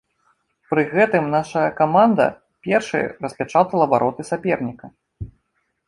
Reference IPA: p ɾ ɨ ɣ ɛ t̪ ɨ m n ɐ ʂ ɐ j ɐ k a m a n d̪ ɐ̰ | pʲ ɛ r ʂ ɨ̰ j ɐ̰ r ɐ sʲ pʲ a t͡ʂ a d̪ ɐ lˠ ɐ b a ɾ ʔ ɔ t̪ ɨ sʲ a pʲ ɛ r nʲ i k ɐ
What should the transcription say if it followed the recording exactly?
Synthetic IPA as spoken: p ɾ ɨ ɣ ɛ t̪ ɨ m n a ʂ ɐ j ɐ k a m a n d̪ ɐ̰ | pʲ ɛ r ʂ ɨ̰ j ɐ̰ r ɐ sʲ pʲ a t͡ʂ a t̪ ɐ lˠ ɐ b a ɾ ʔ ɔ t̪ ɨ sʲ a pʲ ɛ r nʲ i k ɐ